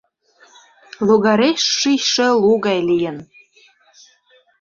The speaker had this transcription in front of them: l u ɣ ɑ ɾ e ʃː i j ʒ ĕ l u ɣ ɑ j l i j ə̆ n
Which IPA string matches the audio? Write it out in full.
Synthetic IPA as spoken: l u ɣ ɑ ɾ e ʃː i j ʃ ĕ l u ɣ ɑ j l i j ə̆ n